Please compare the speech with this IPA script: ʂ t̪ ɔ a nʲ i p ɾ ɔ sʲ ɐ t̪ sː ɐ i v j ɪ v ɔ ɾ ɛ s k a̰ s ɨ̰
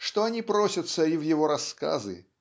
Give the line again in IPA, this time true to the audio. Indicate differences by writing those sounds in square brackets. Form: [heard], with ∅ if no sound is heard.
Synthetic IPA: ʂ t̪ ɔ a nʲ i p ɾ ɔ sʲ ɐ t̪ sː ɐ i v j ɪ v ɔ ɾ [a] s k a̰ [z] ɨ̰

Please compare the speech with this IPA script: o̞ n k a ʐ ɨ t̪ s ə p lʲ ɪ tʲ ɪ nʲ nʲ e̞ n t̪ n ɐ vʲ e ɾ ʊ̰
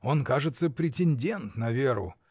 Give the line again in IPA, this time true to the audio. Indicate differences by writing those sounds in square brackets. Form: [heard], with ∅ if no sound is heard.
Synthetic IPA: o̞ n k a ʐ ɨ t̪ s ə p [ɾʲ] ɪ tʲ ɪ nʲ [dʲ] e̞ n t̪ n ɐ vʲ e ɾ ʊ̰

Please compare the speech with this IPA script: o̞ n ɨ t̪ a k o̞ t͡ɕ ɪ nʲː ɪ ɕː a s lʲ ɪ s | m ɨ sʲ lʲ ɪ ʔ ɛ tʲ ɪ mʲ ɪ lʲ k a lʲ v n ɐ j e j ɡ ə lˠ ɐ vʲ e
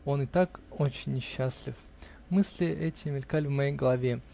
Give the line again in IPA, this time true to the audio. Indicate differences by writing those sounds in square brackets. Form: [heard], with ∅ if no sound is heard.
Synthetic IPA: o̞ n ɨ t̪ a k o̞ t͡ɕ ɪ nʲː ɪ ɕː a s lʲ ɪ [f] | m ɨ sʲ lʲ ɪ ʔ ɛ tʲ ɪ mʲ ɪ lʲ k a lʲ v [m] ɐ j e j ɡ ə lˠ ɐ vʲ e

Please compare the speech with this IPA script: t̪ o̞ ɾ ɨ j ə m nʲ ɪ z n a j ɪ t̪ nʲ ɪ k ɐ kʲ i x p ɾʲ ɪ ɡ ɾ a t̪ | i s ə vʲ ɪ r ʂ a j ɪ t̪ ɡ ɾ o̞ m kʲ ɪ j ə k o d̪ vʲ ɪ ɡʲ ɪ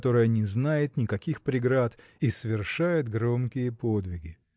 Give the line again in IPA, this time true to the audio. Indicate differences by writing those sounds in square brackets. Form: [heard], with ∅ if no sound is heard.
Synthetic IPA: t̪ o̞ ɾ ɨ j ə [∅] nʲ ɪ z n a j ɪ t̪ nʲ ɪ k ɐ kʲ i x p ɾʲ ɪ ɡ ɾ a t̪ | i s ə vʲ ɪ r ʂ a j ɪ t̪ ɡ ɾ o̞ m kʲ ɪ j ə [p] o d̪ vʲ ɪ ɡʲ ɪ

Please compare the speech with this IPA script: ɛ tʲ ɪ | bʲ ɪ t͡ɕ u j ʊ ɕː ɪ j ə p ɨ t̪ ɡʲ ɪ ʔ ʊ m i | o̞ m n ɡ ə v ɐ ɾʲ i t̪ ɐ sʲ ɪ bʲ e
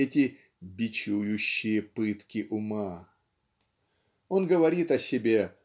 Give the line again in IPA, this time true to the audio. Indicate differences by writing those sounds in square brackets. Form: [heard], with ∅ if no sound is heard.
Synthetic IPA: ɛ tʲ ɪ | bʲ ɪ t͡ɕ u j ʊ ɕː ɪ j ə p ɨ t̪ [kʲ] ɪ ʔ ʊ m [a] | o̞ [∅] n ɡ ə v ɐ ɾʲ i t̪ ɐ sʲ ɪ bʲ e

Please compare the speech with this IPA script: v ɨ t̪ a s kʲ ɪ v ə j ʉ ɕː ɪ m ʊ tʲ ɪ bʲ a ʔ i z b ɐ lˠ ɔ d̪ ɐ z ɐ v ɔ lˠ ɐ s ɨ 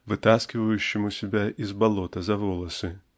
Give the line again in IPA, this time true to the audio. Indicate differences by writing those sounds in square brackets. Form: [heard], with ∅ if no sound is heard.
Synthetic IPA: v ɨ t̪ a s kʲ ɪ v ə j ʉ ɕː ɪ m ʊ [sʲ] ɪ bʲ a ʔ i z b ɐ lˠ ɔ [t̪] ɐ z ɐ v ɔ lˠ ɐ s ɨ

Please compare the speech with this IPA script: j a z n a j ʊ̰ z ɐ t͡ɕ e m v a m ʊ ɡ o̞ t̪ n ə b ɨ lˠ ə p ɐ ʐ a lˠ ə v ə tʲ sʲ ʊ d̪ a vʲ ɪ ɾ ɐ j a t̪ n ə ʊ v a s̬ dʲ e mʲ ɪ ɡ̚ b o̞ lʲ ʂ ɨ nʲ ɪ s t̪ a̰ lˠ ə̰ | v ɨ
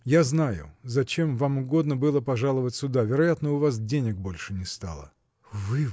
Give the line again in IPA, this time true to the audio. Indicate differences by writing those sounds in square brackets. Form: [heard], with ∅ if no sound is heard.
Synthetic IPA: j a z n a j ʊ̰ z ɐ t͡ɕ e m v a m ʊ ɡ o̞ [d̪] n ə b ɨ lˠ ə p ɐ ʐ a lˠ ə v ə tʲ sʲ ʊ d̪ a vʲ ɪ ɾ ɐ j a t̪ n ə ʊ v a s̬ dʲ e [nʲ] ɪ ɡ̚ b o̞ lʲ ʂ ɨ nʲ ɪ s t̪ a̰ lˠ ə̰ | v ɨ

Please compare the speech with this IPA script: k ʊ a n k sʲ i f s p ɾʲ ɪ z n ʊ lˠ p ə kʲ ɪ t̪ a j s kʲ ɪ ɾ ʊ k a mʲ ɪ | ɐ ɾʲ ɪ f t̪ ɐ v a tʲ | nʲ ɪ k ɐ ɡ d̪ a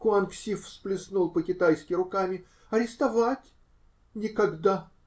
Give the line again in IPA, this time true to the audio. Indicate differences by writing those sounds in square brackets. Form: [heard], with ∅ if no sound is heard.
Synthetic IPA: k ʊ a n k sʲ i f s p [lʲ] ɪ [s] n [u] lˠ p ə kʲ ɪ t̪ a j s kʲ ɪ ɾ ʊ k a mʲ ɪ | ɐ ɾʲ ɪ [s] t̪ ɐ v a tʲ | nʲ ɪ k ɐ ɡ d̪ a

